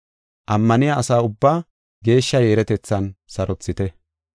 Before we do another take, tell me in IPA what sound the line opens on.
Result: ʔ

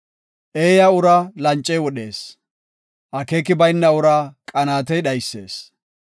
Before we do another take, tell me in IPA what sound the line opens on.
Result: ʔ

